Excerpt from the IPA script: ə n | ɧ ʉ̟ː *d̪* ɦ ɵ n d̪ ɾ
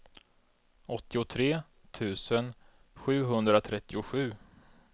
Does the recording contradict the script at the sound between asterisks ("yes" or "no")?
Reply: yes